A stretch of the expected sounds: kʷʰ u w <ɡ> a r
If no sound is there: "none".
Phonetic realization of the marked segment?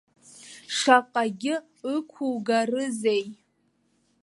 ɡ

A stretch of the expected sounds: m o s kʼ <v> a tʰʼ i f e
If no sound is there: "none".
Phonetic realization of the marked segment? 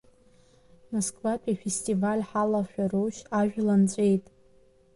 v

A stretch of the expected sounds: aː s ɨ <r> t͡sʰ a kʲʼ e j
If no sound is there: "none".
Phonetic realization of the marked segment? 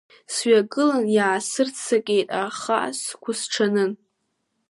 r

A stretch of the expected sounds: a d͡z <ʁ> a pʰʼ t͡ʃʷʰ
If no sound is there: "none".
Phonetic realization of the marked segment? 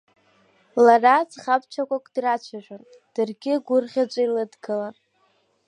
χ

